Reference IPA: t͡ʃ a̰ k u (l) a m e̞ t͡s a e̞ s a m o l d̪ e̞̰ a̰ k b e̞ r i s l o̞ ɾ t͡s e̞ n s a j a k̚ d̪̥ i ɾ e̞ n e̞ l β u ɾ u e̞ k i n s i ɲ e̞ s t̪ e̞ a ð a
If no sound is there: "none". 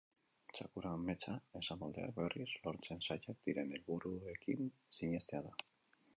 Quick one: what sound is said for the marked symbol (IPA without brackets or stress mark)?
ɾ